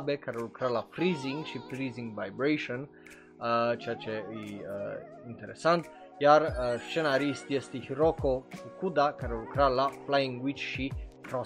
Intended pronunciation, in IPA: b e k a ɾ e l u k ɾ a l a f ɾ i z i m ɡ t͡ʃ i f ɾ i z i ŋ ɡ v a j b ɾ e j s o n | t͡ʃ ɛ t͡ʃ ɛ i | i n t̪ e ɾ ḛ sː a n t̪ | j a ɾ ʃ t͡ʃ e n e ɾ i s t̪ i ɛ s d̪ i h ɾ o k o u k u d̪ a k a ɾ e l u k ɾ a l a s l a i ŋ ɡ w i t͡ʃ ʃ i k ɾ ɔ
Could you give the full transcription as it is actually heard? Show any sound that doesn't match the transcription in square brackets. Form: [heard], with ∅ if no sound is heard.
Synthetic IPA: b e k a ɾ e l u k ɾ a l a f ɾ i z i [ŋ] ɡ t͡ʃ i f ɾ i z i ŋ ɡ v a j b ɾ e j [ʃ] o n | t͡ʃ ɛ t͡ʃ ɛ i | i n t̪ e ɾ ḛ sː a n t̪ | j a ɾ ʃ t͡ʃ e n [a] ɾ i s t̪ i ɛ s [t̪] i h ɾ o k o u k u d̪ a k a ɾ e l u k ɾ a l a [f] l a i ŋ ɡ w i t͡ʃ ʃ i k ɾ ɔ